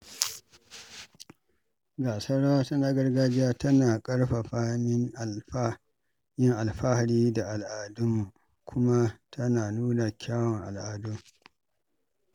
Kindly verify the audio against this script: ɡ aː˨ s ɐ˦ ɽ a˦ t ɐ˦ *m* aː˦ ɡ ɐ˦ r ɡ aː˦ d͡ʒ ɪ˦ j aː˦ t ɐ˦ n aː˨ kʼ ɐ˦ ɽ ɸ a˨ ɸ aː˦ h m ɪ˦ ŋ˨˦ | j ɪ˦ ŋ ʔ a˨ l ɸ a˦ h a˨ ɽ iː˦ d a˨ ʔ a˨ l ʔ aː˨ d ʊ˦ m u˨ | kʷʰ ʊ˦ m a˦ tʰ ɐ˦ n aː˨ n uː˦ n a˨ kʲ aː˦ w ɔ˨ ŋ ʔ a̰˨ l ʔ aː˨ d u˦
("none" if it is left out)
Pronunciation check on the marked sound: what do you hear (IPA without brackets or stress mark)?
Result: n